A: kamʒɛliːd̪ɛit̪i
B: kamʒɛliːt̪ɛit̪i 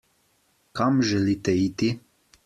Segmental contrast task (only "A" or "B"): B